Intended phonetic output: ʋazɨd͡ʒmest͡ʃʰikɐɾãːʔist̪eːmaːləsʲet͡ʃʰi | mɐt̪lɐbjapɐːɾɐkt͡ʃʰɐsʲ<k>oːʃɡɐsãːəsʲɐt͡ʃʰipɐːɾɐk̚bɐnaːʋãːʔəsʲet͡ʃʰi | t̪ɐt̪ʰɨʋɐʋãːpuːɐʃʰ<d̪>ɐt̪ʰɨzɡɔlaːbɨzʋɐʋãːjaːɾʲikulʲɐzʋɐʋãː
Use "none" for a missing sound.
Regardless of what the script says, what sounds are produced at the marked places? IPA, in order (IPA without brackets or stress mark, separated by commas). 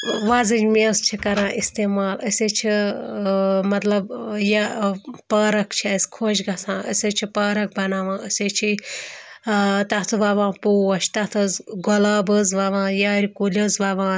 kʰ, t̪